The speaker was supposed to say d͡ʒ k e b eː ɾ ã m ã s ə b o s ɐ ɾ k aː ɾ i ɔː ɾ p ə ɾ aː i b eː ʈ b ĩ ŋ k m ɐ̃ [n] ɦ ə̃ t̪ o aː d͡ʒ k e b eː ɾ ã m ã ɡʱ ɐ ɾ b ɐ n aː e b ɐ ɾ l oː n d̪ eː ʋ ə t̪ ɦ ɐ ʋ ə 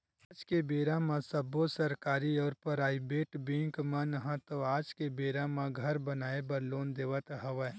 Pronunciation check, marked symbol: correct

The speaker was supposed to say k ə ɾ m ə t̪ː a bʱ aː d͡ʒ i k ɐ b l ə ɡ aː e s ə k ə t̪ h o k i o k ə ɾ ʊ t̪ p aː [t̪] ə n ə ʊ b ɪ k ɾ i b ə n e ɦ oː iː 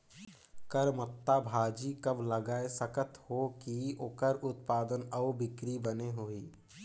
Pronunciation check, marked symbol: incorrect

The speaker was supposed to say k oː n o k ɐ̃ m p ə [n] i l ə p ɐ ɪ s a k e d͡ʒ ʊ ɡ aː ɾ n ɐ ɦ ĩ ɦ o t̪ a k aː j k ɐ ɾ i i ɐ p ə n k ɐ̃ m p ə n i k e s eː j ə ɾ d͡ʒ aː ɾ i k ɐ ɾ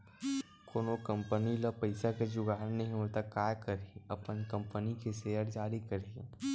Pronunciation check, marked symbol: correct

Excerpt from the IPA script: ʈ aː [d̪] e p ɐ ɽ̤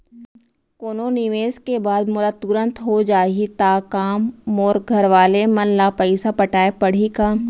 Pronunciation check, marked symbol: incorrect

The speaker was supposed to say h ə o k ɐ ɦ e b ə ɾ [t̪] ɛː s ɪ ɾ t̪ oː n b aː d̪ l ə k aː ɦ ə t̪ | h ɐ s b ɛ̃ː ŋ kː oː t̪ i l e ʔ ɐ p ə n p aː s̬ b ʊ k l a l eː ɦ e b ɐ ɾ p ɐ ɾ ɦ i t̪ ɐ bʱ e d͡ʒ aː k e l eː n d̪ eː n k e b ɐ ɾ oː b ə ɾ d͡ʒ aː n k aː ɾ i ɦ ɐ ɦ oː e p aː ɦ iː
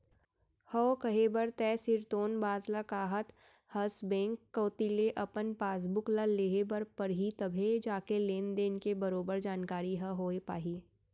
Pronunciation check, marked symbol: correct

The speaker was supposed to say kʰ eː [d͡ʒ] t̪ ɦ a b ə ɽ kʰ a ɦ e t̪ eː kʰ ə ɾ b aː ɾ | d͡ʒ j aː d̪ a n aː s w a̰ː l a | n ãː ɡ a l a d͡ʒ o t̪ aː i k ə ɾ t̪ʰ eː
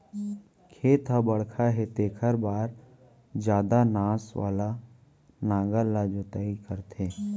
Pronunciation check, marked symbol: incorrect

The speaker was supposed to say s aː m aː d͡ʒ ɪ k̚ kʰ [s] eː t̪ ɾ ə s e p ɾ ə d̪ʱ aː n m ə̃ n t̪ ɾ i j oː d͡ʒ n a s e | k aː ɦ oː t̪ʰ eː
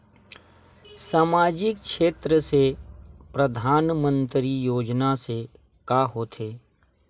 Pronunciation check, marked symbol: incorrect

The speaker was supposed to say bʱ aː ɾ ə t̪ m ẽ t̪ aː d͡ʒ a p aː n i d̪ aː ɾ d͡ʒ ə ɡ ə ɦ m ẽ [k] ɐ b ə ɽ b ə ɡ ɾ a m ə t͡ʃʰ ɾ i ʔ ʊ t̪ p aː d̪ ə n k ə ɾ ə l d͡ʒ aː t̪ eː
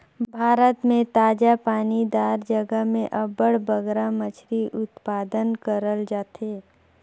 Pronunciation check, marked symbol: incorrect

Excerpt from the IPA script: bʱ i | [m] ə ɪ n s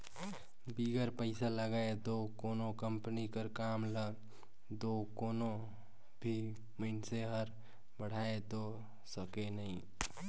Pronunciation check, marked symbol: correct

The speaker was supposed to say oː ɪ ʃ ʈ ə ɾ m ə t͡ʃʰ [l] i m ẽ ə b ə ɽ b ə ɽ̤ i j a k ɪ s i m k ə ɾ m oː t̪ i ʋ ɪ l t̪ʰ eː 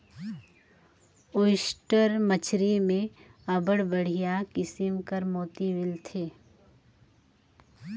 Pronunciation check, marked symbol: incorrect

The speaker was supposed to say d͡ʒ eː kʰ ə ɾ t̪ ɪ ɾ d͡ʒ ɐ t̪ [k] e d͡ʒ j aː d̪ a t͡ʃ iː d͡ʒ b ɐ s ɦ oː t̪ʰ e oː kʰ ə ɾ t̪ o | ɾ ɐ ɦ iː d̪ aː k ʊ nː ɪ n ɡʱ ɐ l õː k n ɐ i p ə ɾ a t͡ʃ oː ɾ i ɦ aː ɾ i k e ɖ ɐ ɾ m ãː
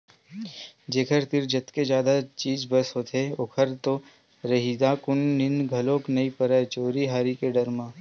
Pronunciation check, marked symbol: correct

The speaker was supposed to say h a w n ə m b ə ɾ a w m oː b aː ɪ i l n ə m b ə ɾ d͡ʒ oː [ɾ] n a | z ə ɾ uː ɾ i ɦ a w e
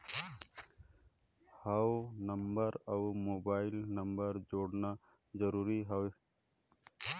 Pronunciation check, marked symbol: incorrect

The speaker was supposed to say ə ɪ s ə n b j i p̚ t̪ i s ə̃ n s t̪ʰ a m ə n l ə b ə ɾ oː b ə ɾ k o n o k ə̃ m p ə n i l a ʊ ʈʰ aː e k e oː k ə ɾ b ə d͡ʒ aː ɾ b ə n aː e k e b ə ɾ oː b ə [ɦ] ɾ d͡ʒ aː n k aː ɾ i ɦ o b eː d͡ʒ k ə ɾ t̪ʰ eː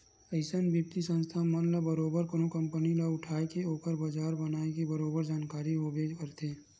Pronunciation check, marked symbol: incorrect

